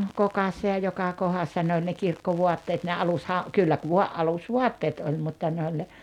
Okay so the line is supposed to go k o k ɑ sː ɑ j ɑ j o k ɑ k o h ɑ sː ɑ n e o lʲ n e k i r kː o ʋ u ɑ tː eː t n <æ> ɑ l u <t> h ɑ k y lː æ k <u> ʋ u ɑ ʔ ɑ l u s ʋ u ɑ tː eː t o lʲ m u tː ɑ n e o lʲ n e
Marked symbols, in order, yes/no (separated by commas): no, no, yes